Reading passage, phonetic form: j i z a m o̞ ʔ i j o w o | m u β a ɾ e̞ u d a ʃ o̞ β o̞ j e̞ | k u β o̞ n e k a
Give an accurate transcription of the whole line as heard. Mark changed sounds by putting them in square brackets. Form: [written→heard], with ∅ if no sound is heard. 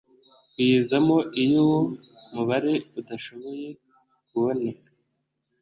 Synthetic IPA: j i z a m o̞ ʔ i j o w o | m u β a ɾ e̞ u d a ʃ o̞ β o̞ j e̞ | k u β o̞ n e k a